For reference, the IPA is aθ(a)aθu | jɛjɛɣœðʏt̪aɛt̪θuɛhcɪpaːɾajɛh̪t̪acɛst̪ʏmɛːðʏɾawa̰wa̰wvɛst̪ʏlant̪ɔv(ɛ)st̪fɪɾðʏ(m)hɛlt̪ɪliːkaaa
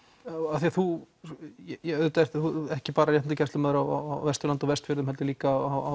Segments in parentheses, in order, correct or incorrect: incorrect, correct, correct

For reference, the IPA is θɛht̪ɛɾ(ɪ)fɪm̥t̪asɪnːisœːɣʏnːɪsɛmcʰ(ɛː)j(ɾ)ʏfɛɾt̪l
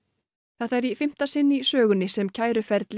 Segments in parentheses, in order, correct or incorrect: incorrect, incorrect, correct

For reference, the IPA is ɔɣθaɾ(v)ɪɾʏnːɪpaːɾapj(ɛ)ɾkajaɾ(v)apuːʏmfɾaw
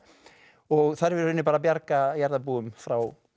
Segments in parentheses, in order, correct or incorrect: correct, incorrect, incorrect

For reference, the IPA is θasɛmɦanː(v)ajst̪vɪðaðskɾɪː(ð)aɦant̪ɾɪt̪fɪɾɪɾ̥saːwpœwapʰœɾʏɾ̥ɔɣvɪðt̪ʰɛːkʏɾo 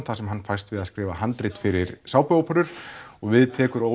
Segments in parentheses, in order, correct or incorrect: incorrect, incorrect

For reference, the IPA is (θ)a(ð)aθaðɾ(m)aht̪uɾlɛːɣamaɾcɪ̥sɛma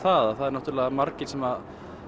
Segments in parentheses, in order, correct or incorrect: correct, correct, incorrect

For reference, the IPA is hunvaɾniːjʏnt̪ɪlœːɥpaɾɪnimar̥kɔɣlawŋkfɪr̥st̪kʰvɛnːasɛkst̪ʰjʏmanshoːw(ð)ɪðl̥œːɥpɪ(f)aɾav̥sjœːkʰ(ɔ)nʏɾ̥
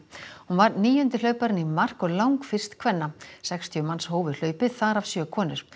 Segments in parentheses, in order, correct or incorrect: incorrect, incorrect, incorrect

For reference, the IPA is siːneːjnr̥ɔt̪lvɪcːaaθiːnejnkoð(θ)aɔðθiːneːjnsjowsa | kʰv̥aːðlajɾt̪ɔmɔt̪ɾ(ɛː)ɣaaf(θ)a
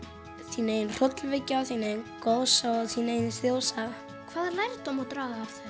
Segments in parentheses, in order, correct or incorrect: incorrect, incorrect, correct

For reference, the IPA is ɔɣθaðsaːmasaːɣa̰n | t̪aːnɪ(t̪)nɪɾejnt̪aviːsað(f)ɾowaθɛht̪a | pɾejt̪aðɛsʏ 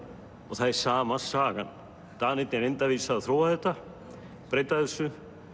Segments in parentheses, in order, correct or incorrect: correct, incorrect

